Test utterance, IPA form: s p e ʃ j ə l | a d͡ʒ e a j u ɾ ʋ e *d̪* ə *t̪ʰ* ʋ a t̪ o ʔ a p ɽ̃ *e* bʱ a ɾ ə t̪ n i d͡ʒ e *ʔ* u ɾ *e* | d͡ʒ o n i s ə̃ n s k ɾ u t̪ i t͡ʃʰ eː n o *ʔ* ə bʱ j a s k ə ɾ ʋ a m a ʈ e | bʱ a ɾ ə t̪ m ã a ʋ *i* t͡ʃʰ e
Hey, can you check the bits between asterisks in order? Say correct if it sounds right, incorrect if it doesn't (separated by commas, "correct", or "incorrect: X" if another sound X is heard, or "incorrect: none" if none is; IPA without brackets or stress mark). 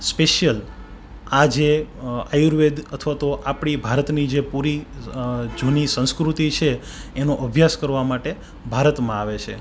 correct, correct, incorrect: i, incorrect: p, incorrect: i, correct, incorrect: e